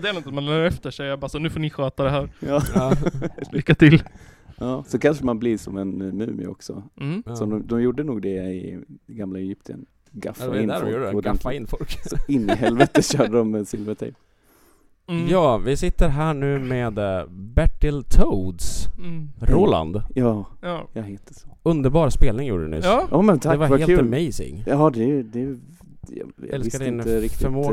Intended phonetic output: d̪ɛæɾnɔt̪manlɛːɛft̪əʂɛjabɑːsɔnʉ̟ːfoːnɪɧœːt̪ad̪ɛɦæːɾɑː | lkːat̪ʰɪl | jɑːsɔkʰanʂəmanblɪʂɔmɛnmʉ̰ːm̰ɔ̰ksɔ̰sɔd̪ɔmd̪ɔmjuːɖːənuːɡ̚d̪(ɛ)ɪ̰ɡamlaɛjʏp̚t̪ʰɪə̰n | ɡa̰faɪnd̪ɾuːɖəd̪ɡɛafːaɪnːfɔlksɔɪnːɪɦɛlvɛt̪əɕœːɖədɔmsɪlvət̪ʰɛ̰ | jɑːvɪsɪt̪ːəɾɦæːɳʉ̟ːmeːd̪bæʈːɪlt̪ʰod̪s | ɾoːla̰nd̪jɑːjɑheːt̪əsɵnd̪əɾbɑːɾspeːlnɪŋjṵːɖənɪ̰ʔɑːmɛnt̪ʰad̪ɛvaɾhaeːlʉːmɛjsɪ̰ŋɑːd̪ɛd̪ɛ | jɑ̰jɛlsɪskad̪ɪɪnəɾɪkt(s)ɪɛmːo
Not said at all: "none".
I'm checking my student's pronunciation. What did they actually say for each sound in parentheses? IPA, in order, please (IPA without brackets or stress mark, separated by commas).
ɛ, f